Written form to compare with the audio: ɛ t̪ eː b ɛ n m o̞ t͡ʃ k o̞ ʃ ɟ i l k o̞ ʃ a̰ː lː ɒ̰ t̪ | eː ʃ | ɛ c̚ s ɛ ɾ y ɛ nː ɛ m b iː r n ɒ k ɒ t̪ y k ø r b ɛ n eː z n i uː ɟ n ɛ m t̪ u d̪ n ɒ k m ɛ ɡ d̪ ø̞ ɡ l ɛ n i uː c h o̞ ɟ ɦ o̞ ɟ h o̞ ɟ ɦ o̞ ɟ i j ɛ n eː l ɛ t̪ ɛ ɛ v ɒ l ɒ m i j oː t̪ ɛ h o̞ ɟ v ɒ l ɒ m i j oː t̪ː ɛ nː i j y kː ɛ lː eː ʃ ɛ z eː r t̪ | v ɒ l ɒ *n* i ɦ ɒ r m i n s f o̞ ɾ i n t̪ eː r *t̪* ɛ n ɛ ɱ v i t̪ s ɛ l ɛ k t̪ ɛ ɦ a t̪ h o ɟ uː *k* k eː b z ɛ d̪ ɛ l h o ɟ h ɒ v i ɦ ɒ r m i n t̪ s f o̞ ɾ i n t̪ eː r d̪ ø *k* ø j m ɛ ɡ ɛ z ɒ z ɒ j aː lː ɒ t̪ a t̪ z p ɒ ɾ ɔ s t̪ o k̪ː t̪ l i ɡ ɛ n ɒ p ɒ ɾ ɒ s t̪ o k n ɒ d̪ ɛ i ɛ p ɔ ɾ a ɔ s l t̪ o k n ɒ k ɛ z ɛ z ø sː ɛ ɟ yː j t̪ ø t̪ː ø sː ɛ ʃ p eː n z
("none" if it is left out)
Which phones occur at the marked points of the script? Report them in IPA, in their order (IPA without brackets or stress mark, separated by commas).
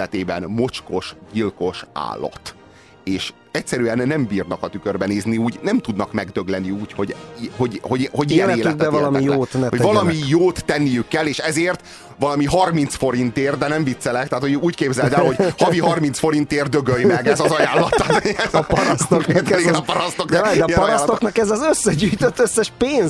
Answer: m, d̪, c, ɡ